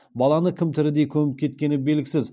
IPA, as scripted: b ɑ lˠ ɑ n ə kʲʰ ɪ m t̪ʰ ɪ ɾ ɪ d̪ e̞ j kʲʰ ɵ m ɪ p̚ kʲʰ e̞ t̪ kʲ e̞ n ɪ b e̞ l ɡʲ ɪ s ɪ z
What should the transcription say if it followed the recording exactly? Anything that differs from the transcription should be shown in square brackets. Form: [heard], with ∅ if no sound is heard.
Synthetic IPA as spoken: b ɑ lˠ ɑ n ə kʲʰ ɪ m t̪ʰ ɪ ɾ ɪ d̪ e̞ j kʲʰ ɵ m ɪ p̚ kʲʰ e̞ t̪ kʲ e̞ n ɪ b e̞ l ɡʲ ɪ s ɪ z

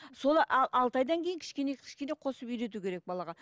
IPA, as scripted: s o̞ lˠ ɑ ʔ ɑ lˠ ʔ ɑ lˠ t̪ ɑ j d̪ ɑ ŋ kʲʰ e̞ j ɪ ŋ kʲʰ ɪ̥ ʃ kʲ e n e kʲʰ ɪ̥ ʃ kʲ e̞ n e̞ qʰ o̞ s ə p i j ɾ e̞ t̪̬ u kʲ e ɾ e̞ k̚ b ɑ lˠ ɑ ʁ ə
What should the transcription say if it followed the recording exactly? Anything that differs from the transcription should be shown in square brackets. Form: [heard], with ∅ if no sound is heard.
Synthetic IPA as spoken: s o̞ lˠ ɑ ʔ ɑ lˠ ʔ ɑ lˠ t̪ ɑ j d̪ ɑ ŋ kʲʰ e̞ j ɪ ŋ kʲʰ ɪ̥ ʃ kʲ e n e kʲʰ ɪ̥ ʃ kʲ e̞ n e̞ qʰ o̞ s ə p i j ɾ e̞ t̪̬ u kʲ e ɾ e̞ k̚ b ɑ lˠ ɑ ʁ [ɑ]

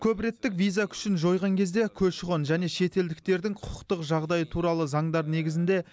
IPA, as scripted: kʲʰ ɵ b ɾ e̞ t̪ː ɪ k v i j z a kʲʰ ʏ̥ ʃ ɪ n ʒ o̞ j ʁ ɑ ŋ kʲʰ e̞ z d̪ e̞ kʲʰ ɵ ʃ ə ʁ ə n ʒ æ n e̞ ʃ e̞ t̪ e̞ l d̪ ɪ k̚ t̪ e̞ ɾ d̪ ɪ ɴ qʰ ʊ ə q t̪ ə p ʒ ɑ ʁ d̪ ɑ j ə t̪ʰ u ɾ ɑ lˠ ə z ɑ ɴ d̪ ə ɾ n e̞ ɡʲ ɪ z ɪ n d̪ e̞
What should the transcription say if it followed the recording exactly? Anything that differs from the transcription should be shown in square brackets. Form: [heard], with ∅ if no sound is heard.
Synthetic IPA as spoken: kʲʰ ɵ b ɾ e̞ t̪ː ɪ k v i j z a kʲʰ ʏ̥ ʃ ɪ n ʒ o̞ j ʁ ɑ ŋ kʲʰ e̞ z d̪ e̞ kʲʰ ɵ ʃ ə ʁ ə n ʒ æ n e̞ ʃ e̞ t̪ e̞ l d̪ ɪ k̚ t̪ e̞ ɾ d̪ ɪ [ŋ] qʰ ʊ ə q t̪ ə [q] ʒ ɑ ʁ d̪ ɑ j ə t̪ʰ u ɾ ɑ lˠ ə z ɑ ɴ d̪ [ɑ] ɾ n e̞ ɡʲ ɪ z ɪ n d̪ e̞

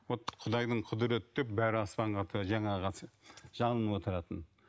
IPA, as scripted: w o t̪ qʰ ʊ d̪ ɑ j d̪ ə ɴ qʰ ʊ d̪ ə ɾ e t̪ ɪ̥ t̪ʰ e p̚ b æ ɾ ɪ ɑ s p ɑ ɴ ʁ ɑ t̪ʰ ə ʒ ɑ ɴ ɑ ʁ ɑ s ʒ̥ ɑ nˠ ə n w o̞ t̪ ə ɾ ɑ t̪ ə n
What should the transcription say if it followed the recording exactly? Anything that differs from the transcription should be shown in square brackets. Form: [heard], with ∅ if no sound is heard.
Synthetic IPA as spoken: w o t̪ qʰ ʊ d̪ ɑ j d̪ ə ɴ qʰ ʊ d̪ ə ɾ e t̪ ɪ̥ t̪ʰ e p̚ b æ ɾ ɪ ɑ s p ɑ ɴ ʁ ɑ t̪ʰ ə ʒ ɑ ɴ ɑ ʁ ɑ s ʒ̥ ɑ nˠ ə n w o̞ t̪ ə ɾ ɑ t̪ ə n

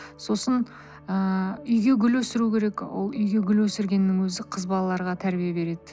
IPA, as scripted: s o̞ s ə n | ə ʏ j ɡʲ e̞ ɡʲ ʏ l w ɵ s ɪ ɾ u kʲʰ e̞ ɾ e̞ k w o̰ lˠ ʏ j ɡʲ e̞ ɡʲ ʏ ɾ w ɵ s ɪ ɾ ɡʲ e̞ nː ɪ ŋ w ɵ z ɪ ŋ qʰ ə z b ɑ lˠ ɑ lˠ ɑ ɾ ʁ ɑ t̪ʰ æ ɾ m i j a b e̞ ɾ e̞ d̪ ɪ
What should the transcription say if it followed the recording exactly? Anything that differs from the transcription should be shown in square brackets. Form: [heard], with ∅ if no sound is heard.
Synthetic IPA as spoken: s o̞ s ə n | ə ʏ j ɡʲ e̞ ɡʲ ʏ l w ɵ s ɪ ɾ u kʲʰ e̞ ɾ e̞ k w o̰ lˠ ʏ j ɡʲ e̞ ɡʲ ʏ [l] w ɵ s ɪ ɾ ɡʲ e̞ nː ɪ ŋ w ɵ z ɪ [∅] qʰ ə z b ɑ lˠ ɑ lˠ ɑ ɾ ʁ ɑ t̪ʰ æ ɾ [b] i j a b e̞ ɾ e̞ d̪ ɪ

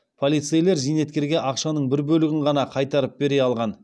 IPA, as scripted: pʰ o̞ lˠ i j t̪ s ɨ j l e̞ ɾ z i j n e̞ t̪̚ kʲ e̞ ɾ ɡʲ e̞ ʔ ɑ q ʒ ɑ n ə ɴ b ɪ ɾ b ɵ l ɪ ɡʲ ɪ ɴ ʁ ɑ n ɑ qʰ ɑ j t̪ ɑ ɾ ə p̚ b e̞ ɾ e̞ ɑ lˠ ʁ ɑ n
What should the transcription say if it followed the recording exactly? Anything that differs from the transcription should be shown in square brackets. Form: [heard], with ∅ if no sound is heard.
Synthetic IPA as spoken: pʰ o̞ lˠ i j t̪ s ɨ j l e̞ ɾ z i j n e̞ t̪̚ kʲ e̞ ɾ ɡʲ e̞ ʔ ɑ q [ʃ] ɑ n ə ɴ b ɪ ɾ b ɵ l ɪ ɡʲ ɪ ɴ ʁ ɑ n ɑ qʰ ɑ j t̪ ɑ ɾ ə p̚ b e̞ ɾ e̞ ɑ lˠ ʁ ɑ n

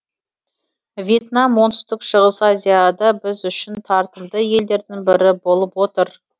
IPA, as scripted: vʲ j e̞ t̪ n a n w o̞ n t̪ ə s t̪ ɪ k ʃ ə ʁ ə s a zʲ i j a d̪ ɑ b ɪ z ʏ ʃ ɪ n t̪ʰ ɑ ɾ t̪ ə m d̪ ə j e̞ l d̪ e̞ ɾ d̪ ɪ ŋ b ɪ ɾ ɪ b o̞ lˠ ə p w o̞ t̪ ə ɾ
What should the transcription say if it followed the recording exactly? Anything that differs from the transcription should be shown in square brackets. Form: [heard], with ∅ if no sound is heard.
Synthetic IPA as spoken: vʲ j e̞ t̪ n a [m] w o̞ n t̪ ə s t̪ ɪ k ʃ ə ʁ ə s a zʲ i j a d̪ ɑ b ɪ z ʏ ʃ ɪ n t̪ʰ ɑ ɾ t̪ ə m d̪ ə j e̞ l d̪ e̞ ɾ d̪ ɪ ŋ b ɪ ɾ ɪ b o̞ lˠ ə p w o̞ t̪ ə ɾ

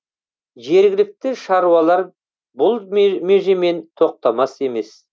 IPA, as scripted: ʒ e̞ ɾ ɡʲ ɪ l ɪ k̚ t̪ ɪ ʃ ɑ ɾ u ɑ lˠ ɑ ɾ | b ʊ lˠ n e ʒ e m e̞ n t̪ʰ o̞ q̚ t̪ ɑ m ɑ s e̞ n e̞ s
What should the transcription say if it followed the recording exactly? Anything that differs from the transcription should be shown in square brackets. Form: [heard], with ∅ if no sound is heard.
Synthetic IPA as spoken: ʒ e̞ ɾ ɡʲ ɪ l ɪ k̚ t̪ ɪ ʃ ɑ ɾ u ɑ lˠ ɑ ɾ | b ʊ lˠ [m] e ʒ e m e̞ n t̪ʰ o̞ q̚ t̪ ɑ m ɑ s e̞ [m] e̞ s

